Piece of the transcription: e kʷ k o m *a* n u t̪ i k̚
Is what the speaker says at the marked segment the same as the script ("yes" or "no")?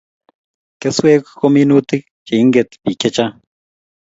no